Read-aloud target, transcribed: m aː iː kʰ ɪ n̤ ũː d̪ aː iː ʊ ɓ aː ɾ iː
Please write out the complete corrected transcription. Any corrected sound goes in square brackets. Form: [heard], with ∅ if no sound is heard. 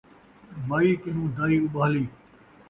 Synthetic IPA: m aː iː [k] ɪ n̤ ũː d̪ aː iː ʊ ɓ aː [l] iː